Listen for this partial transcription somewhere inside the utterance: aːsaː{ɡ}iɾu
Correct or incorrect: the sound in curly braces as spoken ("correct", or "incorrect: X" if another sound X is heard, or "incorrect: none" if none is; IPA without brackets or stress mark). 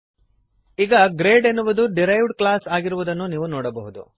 correct